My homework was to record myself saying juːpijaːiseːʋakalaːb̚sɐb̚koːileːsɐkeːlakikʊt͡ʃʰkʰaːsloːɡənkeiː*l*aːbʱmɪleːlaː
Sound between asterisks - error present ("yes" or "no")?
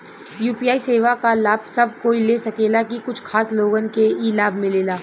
no